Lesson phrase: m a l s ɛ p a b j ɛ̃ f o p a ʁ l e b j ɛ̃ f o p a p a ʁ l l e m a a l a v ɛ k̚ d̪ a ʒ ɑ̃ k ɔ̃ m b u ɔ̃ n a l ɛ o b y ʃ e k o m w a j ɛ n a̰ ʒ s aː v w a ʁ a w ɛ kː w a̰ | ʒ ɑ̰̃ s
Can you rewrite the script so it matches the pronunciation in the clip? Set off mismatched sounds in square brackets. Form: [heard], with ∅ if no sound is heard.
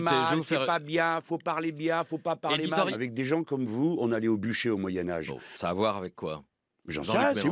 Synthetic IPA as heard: m a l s ɛ p a b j ɛ̃ f o p a ʁ l e b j ɛ̃ f o p a p a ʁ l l e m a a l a v ɛ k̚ d̪ [e] ʒ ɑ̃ k [ɔ] m [v] u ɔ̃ n a l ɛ o b y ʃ e [∅] o m w a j ɛ n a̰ ʒ s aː v w a ʁ a [v] ɛ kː w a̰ | ʒ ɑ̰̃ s

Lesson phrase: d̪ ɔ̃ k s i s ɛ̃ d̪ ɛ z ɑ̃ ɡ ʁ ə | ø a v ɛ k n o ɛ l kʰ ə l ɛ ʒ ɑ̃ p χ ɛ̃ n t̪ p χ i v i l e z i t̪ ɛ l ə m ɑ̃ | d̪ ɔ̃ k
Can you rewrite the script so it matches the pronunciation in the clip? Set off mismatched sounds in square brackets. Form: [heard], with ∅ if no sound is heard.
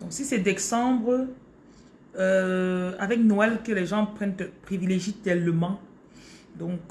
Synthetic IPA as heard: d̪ ɔ̃ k s i s [ɛ] d̪ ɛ [s] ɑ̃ [b] ʁ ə | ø a v ɛ k n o ɛ l [k] ə l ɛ ʒ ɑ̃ p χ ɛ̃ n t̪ p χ i v i l e [ʒ] i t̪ ɛ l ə m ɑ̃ | d̪ ɔ̃ k

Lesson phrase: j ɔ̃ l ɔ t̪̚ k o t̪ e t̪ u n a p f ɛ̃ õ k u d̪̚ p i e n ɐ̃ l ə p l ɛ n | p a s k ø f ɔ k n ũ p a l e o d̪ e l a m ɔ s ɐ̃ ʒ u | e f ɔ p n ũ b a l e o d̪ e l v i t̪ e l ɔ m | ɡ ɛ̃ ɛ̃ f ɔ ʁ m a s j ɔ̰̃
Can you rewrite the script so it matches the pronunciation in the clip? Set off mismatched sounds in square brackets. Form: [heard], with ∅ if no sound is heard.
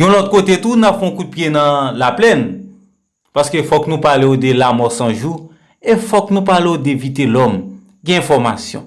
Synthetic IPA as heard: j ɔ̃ l ɔ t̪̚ k o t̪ e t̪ u n a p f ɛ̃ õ k u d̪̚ p [j] e n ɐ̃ l [a] p l ɛ n | p a s k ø f ɔ k n ũ p a l e o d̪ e l a m ɔ s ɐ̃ ʒ u | e f ɔ [k] n ũ [p] a l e o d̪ e [∅] v i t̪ e l ɔ m | ɡ ɛ̃ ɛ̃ f ɔ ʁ m a s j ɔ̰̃

